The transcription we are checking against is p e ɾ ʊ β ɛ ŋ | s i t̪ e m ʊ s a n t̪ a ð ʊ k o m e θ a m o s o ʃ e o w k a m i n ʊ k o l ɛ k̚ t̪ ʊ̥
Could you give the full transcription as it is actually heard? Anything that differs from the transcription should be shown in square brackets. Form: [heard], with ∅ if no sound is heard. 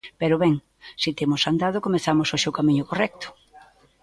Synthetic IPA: p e ɾ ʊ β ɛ ŋ | s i t̪ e m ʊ s a n [d̪] a ð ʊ k o m e θ a m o s o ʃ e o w k a m i [ɲ] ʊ k o [r] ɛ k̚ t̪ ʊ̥